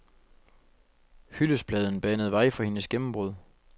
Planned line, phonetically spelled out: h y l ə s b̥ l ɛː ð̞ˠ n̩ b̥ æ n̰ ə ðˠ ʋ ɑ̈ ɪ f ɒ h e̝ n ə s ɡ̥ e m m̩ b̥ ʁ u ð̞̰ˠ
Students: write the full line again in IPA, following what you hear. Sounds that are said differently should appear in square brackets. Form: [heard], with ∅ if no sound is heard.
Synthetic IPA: h y l ə s b̥ l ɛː ð̞ˠ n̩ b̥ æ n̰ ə ðˠ ʋ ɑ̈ ɪ f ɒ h e̝ n ə s ɡ̥ e m m̩ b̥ ʁ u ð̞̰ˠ